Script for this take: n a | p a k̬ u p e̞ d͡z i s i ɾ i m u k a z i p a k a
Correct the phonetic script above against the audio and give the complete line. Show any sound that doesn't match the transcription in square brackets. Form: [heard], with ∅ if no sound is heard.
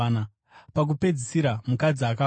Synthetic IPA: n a | p a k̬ u p e̞ d͡z i s i ɾ [a] m u k a [d͡z] i [∅] a k a